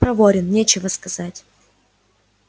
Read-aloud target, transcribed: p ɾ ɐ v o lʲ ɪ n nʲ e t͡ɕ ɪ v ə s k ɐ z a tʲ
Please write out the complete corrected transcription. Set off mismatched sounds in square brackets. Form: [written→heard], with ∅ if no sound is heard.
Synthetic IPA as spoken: p ɾ ɐ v o [lʲ→ɾʲ] ɪ n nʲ e t͡ɕ ɪ v ə s k ɐ z a tʲ